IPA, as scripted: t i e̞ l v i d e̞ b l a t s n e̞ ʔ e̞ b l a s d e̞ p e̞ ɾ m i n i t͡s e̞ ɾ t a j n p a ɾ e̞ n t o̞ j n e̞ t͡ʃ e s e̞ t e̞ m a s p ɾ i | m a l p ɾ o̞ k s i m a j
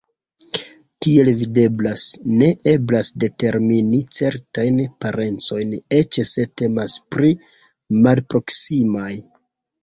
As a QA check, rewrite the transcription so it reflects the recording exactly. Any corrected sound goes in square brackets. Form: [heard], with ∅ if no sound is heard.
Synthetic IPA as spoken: t i e̞ l v i d e̞ b l a [∅] s n e̞ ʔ e̞ b l a s d e̞ [t] e̞ ɾ m i n i t͡s e̞ ɾ t a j n p a ɾ e̞ n [t͡s] o̞ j n e̞ t͡ʃ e s e̞ t e̞ m a s p ɾ i | m a l p ɾ o̞ k s i m a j

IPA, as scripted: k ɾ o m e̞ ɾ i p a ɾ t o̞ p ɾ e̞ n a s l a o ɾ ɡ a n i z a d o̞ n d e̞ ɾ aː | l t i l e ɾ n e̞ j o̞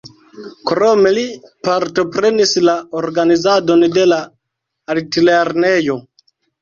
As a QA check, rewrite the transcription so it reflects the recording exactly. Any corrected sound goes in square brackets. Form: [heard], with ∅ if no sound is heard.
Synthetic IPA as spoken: k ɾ o m e̞ [l] i p a ɾ t o̞ p ɾ e̞ n [i] s l a o ɾ ɡ a n i z a d o̞ n d e̞ [l] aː | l t i l e ɾ n e̞ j o̞

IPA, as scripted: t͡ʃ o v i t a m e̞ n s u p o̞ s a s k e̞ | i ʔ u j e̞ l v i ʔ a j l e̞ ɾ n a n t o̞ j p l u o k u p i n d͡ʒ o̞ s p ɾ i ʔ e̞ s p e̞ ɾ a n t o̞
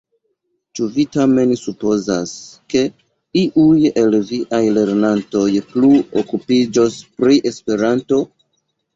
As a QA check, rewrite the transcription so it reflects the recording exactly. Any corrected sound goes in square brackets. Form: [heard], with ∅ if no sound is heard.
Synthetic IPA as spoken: t͡ʃ [u] v i t a m e̞ n s u p o̞ [z] a s k e̞ | i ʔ u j e̞ l v i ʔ a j l e̞ ɾ n a n t o̞ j p l u o k u p i [∅] d͡ʒ o̞ s p ɾ i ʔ e̞ s p e̞ ɾ a n t o̞

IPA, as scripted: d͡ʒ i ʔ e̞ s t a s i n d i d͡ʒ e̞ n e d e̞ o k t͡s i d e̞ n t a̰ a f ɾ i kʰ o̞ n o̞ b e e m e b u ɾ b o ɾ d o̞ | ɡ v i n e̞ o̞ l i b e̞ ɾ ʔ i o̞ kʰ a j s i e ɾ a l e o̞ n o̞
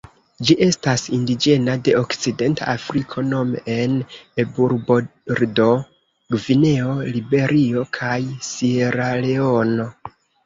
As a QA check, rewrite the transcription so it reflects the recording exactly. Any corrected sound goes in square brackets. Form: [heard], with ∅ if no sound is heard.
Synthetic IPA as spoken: d͡ʒ i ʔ e̞ s t a s i n d i d͡ʒ e̞ n [a] d e̞ o k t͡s i d e̞ n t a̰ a f ɾ i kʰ o̞ n o̞ [m] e e [n] e b u ɾ b o ɾ d o̞ | ɡ v i n e̞ o̞ l i b e̞ ɾ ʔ i o̞ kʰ a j s i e ɾ a l e o̞ n o̞

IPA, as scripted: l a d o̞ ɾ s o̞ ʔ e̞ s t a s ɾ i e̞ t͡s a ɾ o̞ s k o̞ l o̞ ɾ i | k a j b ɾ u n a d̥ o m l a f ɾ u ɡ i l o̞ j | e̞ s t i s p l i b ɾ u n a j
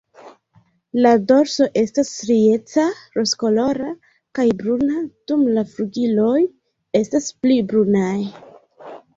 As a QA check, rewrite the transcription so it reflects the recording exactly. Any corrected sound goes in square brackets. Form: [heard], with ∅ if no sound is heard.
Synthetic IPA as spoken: l a d o̞ ɾ s o̞ ʔ e̞ s t a s ɾ i e̞ t͡s a ɾ o̞ s k o̞ l o̞ ɾ [a] | k a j b ɾ u n a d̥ [u] m l a f ɾ u ɡ i l o̞ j | e̞ s t [a] s p l i b ɾ u n a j

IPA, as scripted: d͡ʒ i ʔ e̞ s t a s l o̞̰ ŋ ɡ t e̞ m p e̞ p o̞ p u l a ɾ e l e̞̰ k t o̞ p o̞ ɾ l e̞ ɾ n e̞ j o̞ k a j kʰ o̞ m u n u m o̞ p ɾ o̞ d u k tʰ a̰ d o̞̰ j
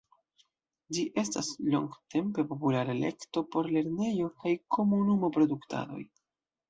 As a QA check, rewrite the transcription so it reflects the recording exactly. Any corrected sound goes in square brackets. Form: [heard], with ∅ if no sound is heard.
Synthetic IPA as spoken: d͡ʒ i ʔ e̞ s t a s l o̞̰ ŋ ɡ t e̞ m p e̞ p o̞ p u l a ɾ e l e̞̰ k t o̞ p o̞ ɾ l e̞ ɾ n e̞ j o̞ k a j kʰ o̞ m u n u m o̞ p ɾ o̞ d u k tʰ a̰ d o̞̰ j

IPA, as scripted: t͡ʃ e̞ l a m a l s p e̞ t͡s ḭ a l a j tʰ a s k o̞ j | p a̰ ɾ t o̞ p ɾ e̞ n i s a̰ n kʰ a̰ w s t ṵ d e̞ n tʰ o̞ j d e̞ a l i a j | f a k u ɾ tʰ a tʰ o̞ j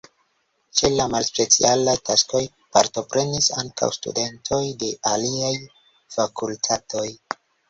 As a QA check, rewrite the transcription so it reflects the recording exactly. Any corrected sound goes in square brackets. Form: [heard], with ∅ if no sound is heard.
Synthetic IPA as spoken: t͡ʃ e̞ l a m a l s p e̞ t͡s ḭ a l a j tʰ a s k o̞ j | p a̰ ɾ t o̞ p ɾ e̞ n i s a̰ [ŋ] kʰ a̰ w s t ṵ d e̞ n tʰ o̞ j d e̞ a l i a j | f a k u [l] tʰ a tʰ o̞ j

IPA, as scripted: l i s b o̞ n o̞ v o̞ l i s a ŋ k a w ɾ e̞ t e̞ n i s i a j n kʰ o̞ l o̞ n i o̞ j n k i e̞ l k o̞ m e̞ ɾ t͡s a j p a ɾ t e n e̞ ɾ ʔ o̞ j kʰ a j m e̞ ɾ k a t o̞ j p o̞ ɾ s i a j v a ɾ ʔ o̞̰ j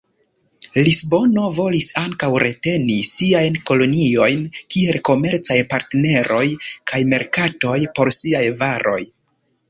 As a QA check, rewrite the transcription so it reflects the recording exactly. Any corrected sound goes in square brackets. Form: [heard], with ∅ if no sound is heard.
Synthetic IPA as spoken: l i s b o̞ n o̞ v o̞ l i s a ŋ k a w ɾ e̞ t e̞ n i s i a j n [k] o̞ l o̞ n i o̞ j n k i e̞ l k o̞ m e̞ ɾ t͡s a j p a ɾ t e n e̞ ɾ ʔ o̞ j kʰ a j m e̞ ɾ k a t o̞ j p o̞ ɾ s i a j v a ɾ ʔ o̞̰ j

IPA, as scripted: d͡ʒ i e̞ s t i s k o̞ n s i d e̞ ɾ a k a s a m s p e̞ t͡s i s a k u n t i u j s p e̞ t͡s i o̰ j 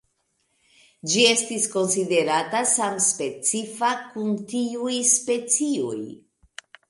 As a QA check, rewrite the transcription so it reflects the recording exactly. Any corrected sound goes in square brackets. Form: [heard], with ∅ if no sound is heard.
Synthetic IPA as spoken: d͡ʒ i e̞ s t i s k o̞ n s i d e̞ ɾ a [t] a s a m s p e̞ t͡s i [f] a k u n t i u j s p e̞ t͡s i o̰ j

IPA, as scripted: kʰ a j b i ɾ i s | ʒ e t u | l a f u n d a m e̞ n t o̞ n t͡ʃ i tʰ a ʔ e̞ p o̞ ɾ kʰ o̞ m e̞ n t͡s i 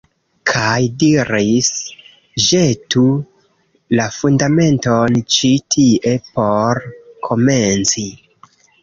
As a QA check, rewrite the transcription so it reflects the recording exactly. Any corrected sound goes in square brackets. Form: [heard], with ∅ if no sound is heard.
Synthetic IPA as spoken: kʰ a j [d] i ɾ i s | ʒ e t u | l a f u n d a m e̞ n t o̞ n t͡ʃ i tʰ [i] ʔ e̞ p o̞ ɾ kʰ o̞ m e̞ n t͡s i

